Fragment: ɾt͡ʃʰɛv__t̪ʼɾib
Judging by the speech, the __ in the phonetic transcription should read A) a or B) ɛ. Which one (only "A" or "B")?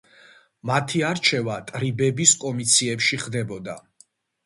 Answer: A